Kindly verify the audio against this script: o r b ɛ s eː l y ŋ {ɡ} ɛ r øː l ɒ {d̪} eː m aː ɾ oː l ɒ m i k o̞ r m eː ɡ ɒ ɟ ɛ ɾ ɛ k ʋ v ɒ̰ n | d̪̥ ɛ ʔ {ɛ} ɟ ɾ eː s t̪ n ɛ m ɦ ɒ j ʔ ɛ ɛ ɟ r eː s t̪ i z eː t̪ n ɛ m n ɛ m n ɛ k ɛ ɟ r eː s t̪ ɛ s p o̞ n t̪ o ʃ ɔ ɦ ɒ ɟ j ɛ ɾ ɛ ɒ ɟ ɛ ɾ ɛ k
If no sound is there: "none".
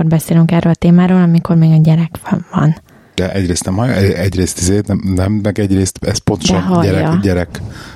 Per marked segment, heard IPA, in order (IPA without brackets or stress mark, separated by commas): k, t̪, ɛ